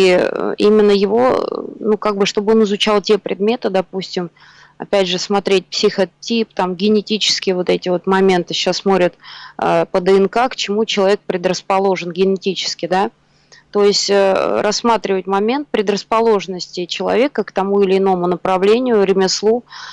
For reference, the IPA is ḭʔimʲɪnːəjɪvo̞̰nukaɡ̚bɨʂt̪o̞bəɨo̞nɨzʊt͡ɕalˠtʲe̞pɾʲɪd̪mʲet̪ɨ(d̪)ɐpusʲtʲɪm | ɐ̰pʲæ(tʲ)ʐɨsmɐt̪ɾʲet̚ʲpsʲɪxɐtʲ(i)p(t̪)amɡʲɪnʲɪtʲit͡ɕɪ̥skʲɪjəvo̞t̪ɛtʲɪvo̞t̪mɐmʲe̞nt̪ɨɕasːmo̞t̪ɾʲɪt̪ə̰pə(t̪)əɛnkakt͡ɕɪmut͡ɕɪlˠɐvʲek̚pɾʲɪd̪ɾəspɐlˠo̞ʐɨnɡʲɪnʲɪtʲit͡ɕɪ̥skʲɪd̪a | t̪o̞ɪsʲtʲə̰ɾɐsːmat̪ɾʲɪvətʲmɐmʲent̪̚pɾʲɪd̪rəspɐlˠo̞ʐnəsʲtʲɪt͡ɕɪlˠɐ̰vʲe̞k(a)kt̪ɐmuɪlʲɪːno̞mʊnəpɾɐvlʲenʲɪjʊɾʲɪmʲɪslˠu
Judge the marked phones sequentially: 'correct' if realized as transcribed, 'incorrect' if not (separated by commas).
correct, incorrect, correct, correct, incorrect, incorrect